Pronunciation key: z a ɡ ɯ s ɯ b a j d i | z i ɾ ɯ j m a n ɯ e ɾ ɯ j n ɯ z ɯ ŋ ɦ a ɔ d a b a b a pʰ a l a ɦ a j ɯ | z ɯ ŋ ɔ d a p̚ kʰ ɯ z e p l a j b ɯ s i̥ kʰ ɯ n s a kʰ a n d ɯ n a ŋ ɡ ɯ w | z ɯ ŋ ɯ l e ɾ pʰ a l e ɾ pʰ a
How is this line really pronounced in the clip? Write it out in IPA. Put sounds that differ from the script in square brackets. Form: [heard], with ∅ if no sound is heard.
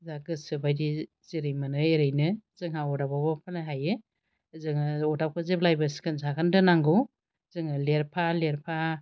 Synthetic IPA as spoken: z a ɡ ɯ s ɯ b a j d i | z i ɾ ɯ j m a n ɯ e ɾ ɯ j n ɯ z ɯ ŋ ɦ a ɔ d a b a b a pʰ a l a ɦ a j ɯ | z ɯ ŋ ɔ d a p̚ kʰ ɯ z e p l a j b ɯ s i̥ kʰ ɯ n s a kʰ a n d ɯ n a ŋ ɡ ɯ w | z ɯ ŋ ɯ l e ɾ pʰ a l e ɾ pʰ a